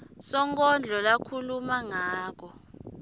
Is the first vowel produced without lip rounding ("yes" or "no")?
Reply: no